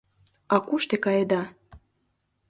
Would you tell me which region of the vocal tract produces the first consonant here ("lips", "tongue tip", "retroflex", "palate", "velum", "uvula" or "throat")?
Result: velum